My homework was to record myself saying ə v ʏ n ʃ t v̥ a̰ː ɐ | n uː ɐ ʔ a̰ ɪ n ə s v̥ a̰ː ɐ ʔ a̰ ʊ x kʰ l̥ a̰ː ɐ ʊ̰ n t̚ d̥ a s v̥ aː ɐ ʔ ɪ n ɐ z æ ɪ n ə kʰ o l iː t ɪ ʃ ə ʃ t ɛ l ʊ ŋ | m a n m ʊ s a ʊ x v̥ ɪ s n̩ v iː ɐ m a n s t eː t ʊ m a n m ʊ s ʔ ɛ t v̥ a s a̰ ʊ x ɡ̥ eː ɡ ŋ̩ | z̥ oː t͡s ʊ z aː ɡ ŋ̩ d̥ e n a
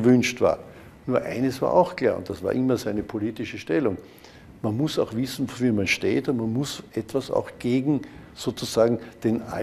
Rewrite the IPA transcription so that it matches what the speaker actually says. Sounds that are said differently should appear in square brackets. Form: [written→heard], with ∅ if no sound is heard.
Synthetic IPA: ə v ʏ n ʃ t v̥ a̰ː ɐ | n uː ɐ ʔ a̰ ɪ n ə s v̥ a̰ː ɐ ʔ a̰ ʊ x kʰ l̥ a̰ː ɐ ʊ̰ n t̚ d̥ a s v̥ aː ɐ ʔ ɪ [n→m] ɐ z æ ɪ n ə [kʰ→pʰ] o l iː t ɪ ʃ ə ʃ t ɛ l ʊ ŋ | m a n m ʊ s a ʊ x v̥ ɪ s n̩ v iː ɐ m a n [s→ʃ] t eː t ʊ m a n m ʊ s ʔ ɛ t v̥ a s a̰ ʊ x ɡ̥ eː ɡ ŋ̩ | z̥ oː t͡s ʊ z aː ɡ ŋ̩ d̥ e n a

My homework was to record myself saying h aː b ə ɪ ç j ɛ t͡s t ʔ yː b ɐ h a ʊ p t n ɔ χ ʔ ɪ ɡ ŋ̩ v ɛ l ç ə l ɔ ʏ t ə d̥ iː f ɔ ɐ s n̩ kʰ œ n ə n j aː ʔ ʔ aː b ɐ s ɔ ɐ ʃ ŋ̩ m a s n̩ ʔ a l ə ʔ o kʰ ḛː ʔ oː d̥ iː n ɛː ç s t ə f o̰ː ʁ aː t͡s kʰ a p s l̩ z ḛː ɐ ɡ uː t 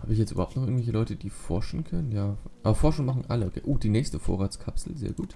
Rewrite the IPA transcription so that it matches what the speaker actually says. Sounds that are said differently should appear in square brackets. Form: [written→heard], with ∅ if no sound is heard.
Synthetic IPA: h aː b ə ɪ ç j ɛ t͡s t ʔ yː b ɐ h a ʊ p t n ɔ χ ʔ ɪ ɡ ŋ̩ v ɛ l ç ə l ɔ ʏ t ə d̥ iː f ɔ ɐ [s→ʃ] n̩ kʰ œ n ə n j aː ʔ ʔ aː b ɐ [s→f] ɔ ɐ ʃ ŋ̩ m a [s→χ] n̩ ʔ a l ə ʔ o kʰ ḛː ʔ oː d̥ iː n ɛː ç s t ə f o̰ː ʁ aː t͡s kʰ a p s l̩ z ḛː ɐ ɡ uː t

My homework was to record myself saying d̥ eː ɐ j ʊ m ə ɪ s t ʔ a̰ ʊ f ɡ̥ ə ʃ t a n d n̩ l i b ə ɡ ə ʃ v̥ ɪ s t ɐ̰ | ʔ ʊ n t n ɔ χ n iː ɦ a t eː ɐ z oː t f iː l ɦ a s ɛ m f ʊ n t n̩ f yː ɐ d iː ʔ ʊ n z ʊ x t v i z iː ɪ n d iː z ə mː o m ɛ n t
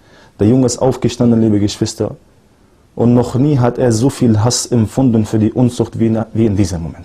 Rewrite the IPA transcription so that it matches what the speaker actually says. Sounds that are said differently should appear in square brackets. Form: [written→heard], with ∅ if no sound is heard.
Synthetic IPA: d̥ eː ɐ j ʊ [m→ŋ] ə ɪ s t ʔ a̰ ʊ f ɡ̥ ə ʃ t a n d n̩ l [i→iː] b ə ɡ ə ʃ v̥ ɪ s t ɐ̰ | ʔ ʊ n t n ɔ χ n iː ɦ a t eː ɐ z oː [t→∅] f iː l ɦ a s ɛ m f ʊ n [t→d] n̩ f yː ɐ d iː ʔ ʊ n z ʊ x t v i [z→v] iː ɪ n d iː z ə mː o m ɛ n t

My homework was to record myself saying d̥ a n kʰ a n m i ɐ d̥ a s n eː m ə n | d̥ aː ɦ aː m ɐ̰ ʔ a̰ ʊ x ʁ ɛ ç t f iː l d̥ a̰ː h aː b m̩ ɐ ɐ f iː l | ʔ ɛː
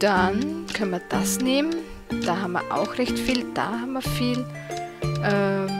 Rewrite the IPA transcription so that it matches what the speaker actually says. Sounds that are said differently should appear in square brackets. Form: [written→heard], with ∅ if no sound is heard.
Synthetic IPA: d̥ a n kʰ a n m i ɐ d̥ a s n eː m ə n | d̥ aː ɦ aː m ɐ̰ ʔ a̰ ʊ x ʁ ɛ ç t f iː l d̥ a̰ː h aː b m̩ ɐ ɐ f iː l | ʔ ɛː

